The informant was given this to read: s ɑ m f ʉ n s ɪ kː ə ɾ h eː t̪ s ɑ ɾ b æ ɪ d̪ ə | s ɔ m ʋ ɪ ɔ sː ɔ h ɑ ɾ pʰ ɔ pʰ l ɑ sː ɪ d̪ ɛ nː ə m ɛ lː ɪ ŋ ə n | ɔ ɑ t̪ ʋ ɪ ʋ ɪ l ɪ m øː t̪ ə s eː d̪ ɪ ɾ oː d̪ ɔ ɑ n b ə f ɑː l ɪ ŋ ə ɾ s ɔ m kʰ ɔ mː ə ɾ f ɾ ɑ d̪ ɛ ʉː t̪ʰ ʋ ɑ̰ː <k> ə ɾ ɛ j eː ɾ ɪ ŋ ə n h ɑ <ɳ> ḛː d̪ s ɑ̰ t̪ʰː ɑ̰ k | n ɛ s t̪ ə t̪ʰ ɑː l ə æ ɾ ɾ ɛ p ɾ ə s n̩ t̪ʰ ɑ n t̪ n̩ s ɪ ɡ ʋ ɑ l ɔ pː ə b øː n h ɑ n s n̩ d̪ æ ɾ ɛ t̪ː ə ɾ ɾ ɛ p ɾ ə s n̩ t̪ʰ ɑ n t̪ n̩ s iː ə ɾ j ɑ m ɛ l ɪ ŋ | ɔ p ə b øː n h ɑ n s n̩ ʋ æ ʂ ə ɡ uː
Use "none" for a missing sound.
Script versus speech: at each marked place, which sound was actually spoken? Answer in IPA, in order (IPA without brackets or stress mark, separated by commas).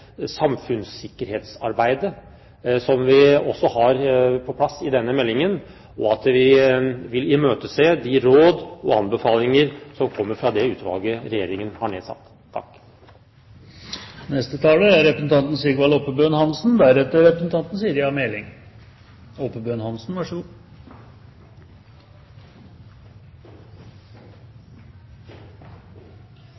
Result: ɡ, ɳ